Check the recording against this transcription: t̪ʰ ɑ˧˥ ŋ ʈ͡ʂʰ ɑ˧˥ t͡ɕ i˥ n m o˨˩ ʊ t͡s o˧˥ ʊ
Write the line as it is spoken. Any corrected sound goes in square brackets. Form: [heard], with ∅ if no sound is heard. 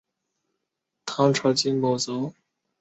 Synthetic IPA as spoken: t̪ʰ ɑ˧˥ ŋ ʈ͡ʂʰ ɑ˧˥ t͡ɕ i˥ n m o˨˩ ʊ t͡s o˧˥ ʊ